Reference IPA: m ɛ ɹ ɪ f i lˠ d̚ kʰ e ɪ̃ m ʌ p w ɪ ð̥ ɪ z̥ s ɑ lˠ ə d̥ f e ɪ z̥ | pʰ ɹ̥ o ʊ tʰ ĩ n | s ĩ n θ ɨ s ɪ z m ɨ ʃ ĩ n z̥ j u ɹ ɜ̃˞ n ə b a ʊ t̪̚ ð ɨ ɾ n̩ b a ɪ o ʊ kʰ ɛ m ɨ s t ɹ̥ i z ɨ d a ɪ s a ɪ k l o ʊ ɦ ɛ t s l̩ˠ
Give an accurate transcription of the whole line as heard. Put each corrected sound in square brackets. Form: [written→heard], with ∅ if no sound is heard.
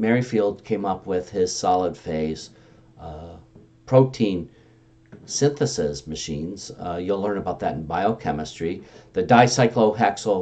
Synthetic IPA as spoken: m ɛ ɹ [ɪ→i] f i lˠ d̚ kʰ [e→ẽ] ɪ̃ m ʌ p w ɪ ð̥ ɪ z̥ s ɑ lˠ ə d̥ f e ɪ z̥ | pʰ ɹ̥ o ʊ tʰ ĩ n | s [ĩ→ɪ̃] n θ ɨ s ɪ z m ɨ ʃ ĩ n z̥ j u [ɹ→l] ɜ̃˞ n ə b a ʊ t̪̚ ð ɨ ɾ n̩ b a ɪ o ʊ kʰ ɛ m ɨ s t ɹ̥ i [z→ð] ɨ d a ɪ s a ɪ k l o ʊ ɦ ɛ [t→k] s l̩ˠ

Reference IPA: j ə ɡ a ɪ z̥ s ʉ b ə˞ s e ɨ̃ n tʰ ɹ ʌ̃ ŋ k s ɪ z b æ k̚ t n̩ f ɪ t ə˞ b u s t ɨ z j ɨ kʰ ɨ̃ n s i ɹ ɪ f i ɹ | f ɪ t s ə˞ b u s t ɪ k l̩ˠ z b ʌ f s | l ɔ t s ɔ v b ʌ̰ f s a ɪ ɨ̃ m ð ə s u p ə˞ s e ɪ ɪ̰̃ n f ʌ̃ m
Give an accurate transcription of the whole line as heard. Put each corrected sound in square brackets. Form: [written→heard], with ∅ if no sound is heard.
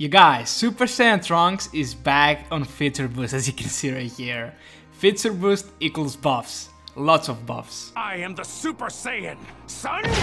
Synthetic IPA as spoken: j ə ɡ a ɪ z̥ s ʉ [b→p] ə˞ s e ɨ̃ n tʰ ɹ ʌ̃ ŋ k s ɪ z b æ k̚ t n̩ f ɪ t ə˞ b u s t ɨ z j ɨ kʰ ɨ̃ n s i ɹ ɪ [f→h] i ɹ | f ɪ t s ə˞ b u s t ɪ k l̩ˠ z b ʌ f s | l ɔ t s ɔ v b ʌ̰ f s a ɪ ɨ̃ m ð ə s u p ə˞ s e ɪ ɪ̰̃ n [f→s] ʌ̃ [m→n]

